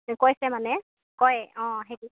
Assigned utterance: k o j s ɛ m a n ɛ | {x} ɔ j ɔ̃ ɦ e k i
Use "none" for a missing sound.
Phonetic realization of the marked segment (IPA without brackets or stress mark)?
k